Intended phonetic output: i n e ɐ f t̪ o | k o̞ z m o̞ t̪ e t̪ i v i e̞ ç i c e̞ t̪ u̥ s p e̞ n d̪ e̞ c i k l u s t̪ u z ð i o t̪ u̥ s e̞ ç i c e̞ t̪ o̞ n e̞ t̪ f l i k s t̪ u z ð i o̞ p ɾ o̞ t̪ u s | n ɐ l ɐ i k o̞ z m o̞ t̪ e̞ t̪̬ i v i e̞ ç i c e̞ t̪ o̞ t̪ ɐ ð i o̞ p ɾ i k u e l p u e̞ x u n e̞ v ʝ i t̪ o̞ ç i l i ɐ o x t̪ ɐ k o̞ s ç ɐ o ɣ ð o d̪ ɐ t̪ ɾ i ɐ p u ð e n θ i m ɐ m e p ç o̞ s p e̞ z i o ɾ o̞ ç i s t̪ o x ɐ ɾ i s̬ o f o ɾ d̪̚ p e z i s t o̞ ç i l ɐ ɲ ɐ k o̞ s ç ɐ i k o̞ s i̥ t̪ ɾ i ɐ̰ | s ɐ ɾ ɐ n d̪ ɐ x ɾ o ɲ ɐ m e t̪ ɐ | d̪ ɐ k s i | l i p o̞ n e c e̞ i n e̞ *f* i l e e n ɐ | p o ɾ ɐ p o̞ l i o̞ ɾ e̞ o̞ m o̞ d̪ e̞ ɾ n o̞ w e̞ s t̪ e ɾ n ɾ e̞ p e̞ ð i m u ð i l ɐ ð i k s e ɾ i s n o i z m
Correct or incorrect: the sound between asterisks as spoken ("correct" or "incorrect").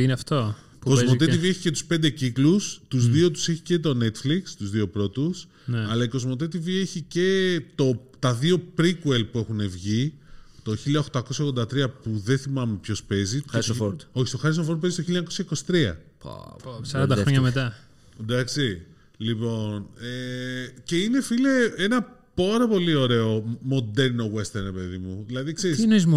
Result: correct